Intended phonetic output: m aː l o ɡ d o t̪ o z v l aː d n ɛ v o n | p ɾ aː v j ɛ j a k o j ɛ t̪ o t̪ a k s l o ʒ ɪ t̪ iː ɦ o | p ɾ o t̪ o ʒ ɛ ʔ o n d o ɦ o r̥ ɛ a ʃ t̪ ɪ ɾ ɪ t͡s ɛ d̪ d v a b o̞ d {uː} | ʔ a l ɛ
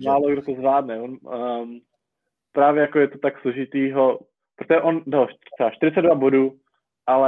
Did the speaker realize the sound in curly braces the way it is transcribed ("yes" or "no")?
yes